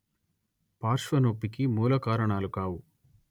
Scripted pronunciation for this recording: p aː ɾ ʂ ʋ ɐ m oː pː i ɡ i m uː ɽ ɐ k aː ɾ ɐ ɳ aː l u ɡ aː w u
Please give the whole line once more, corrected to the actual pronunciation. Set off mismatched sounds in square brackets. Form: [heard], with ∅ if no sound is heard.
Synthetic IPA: p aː ɾ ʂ ʋ ɐ [n] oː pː i [k] i m uː [l] ɐ k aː ɾ ɐ ɳ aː l u [k] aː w u